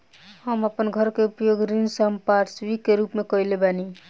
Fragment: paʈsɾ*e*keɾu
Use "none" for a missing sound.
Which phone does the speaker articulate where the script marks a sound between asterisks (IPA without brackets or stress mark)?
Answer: i